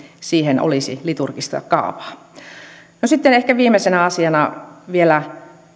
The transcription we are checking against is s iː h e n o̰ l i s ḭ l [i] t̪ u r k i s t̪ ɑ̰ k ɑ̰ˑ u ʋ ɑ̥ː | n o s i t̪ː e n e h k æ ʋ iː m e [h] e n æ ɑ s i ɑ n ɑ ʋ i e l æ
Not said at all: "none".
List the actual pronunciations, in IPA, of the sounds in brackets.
i, s

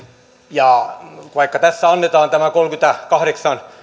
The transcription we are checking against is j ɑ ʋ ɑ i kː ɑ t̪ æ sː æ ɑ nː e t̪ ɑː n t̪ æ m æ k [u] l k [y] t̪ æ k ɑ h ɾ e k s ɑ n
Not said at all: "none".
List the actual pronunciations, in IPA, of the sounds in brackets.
o, y

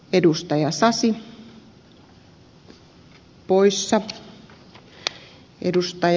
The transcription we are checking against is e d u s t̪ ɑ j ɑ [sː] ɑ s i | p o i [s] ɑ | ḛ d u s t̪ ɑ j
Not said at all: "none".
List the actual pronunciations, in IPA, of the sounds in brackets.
s, sː

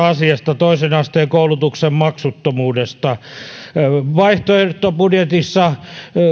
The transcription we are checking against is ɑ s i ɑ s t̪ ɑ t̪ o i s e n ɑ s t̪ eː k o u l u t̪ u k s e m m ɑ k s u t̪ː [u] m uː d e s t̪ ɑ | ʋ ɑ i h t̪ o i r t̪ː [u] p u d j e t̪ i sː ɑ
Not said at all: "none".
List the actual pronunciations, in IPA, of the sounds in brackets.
o, o

